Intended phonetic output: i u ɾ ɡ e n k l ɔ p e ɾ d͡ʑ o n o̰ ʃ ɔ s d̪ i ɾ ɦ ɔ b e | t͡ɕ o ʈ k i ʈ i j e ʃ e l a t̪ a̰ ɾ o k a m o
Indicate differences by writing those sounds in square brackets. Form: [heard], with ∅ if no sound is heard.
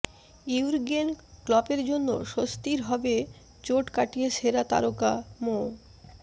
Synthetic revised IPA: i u ɾ ɡ e n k l ɔ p e ɾ d͡ʑ o [nː] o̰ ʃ [o] s [t̪] i ɾ ɦ ɔ b e | t͡ɕ o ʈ k [a] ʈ i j e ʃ e [ɾ] a t̪ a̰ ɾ o k a m o

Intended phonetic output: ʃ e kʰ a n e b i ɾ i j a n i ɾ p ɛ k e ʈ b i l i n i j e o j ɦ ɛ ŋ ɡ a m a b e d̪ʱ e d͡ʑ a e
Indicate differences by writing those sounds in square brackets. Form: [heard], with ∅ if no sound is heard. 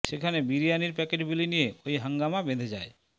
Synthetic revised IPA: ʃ e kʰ a n e b i ɾ i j a n i ɾ p ɛ k e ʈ b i l i n i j e o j ɦ [a] ŋ ɡ a m a b e d̪ʱ e d͡ʑ a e

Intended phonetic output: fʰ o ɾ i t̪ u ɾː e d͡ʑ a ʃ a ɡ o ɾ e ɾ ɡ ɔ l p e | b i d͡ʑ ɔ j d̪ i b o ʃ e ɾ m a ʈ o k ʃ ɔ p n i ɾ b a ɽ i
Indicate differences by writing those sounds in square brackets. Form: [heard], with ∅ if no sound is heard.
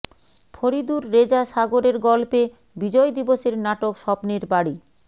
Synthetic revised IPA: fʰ o ɾ i [d̪] u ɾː e d͡ʑ a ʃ a ɡ o ɾ e ɾ ɡ ɔ l p e | b i d͡ʑ ɔ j d̪ i b o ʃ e ɾ [n] a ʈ o k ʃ ɔ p n i ɾ b a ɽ i

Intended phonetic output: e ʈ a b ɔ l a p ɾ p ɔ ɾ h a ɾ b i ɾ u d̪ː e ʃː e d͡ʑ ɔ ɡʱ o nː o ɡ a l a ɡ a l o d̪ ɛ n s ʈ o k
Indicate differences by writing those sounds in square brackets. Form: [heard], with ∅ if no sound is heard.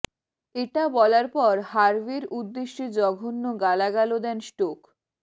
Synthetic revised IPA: e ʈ a b ɔ l a [∅] ɾ p ɔ ɾ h a ɾ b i ɾ u d̪ː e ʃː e d͡ʑ ɔ ɡʱ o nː o ɡ a l a ɡ a l o d̪ ɛ n s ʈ o k

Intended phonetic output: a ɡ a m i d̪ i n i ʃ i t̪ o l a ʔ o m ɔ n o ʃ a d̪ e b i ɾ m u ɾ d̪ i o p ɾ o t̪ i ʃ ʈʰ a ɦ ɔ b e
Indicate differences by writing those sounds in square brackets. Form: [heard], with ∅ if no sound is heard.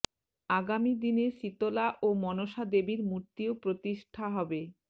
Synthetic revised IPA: a ɡ a m i d̪ i n [e] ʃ i t̪ o l a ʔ o m ɔ n o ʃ a d̪ e b i ɾ m u ɾ [t̪] i o p ɾ o t̪ i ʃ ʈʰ a ɦ ɔ b e

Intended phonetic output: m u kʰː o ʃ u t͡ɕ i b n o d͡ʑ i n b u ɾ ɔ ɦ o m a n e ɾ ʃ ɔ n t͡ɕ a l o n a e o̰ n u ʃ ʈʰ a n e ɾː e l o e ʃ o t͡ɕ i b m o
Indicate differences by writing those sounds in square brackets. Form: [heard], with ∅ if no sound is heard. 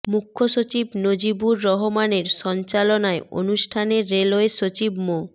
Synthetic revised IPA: m u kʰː o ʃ [o] t͡ɕ i b n o d͡ʑ i [∅] b u [ɾː] ɔ ɦ o m a n e ɾ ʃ ɔ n t͡ɕ a l o n a e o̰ n u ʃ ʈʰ a n e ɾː e l o e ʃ o t͡ɕ i b m o

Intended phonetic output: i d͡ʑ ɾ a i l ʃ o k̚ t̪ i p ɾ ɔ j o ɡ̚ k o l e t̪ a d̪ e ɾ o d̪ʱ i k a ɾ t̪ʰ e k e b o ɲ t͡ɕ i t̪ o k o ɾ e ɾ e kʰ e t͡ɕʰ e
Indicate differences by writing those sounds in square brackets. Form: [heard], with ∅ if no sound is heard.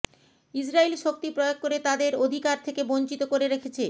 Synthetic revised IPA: i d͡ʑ ɾ a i l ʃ o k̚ t̪ i p ɾ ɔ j o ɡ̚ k o [ɾ] e t̪ a d̪ e ɾ o d̪ʱ i k a ɾ t̪ʰ e k e b o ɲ t͡ɕ i t̪ o k o ɾ e ɾ e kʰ e t͡ɕʰ e

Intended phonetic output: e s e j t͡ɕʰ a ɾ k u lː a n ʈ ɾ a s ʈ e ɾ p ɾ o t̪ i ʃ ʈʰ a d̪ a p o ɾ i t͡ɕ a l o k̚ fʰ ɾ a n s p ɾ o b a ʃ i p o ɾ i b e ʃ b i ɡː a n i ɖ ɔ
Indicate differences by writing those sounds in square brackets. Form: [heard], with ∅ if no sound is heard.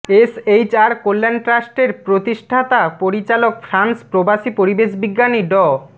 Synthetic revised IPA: e s e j [t͡ɕ] a ɾ k [o] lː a n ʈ ɾ a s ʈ e ɾ p ɾ o t̪ i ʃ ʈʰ a [t̪] a p o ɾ i t͡ɕ a l o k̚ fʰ ɾ a n s p ɾ o b a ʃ i p o ɾ i b e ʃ b i ɡː a n i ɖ ɔ

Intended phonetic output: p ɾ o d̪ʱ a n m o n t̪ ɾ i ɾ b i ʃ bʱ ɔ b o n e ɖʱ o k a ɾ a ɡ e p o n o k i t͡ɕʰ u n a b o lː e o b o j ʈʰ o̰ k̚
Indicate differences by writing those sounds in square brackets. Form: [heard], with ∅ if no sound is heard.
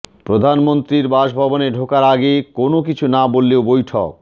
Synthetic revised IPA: p ɾ o d̪ʱ a n m o n t̪ ɾ i ɾ b [a] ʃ bʱ ɔ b o n e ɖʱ o k a ɾ a ɡ e [k] o n o k i t͡ɕʰ u n a b o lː e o b o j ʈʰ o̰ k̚

